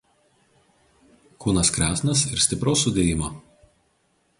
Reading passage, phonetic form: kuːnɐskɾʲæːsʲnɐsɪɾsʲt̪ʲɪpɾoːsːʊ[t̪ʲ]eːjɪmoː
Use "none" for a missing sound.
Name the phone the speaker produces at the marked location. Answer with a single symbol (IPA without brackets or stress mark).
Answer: d̪ʲ